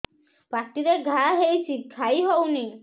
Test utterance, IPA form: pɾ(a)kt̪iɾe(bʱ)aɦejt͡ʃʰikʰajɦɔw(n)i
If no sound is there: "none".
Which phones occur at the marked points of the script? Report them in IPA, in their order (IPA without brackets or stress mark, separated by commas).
a, ɡʱ, n